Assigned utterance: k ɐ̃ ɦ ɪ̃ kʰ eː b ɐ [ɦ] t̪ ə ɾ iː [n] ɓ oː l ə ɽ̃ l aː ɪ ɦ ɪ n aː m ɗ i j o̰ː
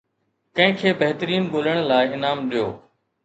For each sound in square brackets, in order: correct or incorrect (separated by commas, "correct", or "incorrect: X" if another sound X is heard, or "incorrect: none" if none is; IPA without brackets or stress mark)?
correct, correct